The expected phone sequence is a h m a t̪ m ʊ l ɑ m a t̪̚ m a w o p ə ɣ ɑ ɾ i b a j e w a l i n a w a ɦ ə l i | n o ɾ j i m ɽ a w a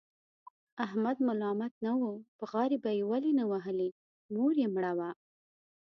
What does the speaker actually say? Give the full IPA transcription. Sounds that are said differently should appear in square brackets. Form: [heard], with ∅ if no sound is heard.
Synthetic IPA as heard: a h m a [d̪] m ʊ l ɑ m a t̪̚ [n] a w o p ə ɣ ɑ ɾ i b a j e w a l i n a w a ɦ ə l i | n o ɾ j [e] m ɽ a w a